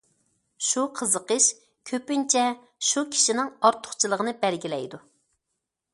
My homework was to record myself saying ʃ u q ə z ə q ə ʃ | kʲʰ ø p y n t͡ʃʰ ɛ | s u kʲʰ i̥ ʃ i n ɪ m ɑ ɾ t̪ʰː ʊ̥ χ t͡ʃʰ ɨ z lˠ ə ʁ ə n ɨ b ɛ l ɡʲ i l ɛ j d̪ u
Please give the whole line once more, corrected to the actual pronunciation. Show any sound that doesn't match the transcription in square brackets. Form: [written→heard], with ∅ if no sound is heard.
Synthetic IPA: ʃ u [q→qʰ] ə z ə q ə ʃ | kʲʰ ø p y n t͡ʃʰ ɛ | [s→ʃ] u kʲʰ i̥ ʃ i n ɪ [m→ŋ] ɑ ɾ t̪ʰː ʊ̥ χ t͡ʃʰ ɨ [z→∅] lˠ ə ʁ ə n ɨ b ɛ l ɡʲ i l ɛ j d̪ u